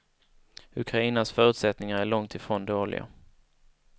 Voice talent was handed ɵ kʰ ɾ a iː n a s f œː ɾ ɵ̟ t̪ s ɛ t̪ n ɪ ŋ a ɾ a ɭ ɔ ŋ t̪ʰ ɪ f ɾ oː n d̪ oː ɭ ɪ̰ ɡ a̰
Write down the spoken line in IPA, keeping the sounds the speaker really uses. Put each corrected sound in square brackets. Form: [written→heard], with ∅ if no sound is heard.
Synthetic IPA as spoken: ɵ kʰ ɾ a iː n a s f œː ɾ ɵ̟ t̪ s ɛ t̪ n ɪ ŋ a ɾ [a→æ] ɭ ɔ ŋ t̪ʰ ɪ f ɾ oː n d̪ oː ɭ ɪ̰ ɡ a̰